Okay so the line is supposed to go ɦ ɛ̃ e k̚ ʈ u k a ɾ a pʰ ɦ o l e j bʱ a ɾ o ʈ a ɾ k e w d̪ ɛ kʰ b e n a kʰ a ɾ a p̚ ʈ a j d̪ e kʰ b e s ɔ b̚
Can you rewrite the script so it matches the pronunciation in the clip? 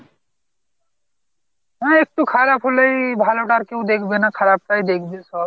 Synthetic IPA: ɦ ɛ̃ e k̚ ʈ u kʰ a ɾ a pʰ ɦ o l e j bʱ a l o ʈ a ɾ k e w d̪ e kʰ b e n a kʰ a ɾ a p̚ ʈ a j d̪ e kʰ b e s ɔ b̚